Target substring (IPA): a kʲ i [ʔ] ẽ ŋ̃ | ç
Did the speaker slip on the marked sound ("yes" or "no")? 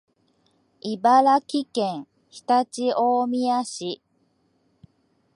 yes